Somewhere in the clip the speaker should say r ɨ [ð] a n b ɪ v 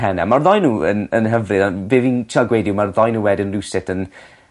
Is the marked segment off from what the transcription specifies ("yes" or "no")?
no